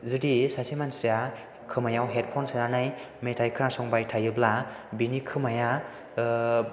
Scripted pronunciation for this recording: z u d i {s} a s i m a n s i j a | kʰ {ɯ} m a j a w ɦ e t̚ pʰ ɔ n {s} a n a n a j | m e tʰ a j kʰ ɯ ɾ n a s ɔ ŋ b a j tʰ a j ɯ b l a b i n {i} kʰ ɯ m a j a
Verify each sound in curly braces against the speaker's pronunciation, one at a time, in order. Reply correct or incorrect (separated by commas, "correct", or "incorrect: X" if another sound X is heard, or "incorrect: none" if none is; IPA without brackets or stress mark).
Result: correct, correct, correct, correct